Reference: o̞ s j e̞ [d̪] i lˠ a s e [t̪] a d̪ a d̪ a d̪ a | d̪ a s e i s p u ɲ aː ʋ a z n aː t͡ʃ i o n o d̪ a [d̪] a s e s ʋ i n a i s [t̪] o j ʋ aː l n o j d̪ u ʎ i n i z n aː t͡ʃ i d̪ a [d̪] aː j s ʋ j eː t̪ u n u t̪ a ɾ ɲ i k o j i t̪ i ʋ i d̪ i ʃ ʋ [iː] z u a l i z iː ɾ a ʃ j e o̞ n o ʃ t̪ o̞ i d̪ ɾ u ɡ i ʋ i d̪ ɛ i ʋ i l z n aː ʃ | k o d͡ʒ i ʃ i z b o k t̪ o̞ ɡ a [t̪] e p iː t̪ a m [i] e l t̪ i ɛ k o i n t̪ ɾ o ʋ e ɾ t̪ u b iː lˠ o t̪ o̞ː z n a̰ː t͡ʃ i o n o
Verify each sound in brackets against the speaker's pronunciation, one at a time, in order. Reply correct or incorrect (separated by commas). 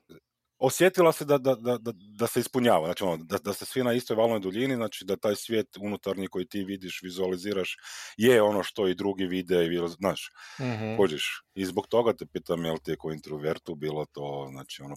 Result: incorrect, incorrect, correct, correct, incorrect, incorrect, correct, incorrect